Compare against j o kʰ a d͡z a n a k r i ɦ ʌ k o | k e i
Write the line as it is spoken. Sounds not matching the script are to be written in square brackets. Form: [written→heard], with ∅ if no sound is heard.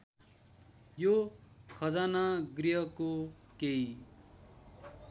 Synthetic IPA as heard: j o kʰ [a→ʌ] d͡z a n a [k→ɡ] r i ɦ ʌ k o | k e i